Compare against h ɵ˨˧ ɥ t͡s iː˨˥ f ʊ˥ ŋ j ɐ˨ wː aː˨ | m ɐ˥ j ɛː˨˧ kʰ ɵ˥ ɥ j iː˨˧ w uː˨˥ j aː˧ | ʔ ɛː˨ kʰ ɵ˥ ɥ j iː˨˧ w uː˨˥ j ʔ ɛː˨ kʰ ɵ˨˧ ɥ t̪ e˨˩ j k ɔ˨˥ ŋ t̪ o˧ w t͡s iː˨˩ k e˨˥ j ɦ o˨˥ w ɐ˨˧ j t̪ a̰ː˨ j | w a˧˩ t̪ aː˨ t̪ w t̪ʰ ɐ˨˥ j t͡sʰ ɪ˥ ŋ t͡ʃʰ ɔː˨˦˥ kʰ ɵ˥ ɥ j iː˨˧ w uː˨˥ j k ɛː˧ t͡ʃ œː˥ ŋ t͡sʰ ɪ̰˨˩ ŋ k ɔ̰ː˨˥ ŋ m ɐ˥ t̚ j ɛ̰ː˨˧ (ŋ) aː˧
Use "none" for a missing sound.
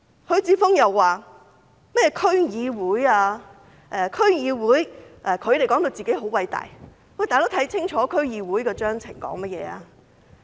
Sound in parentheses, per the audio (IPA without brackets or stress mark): none